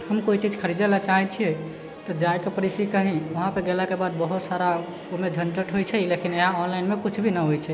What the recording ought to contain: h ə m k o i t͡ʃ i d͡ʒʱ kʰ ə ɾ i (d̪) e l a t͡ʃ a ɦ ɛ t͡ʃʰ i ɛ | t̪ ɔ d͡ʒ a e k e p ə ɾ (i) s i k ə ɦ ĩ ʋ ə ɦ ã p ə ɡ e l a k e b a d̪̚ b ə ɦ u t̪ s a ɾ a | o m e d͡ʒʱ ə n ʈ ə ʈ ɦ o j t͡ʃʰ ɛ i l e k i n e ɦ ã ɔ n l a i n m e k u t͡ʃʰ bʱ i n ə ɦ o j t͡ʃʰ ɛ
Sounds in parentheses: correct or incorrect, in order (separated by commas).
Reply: correct, correct